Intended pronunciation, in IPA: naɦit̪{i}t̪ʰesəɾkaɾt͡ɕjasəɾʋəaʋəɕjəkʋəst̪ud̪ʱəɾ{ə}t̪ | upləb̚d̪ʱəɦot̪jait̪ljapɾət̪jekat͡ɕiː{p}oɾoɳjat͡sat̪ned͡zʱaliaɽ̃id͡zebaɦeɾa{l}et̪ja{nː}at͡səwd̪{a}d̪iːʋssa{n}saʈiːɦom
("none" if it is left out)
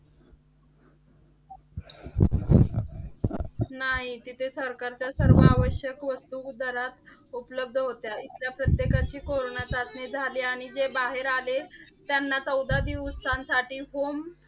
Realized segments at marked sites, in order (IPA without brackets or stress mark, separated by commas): i, a, k, l, nː, a, n